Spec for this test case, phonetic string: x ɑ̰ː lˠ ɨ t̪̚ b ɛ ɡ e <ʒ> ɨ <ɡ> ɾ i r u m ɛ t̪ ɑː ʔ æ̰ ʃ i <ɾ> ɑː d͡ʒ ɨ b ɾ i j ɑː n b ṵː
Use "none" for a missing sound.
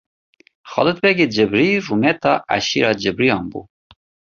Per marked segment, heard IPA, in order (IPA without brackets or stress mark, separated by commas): d͡ʒ, b, ɾ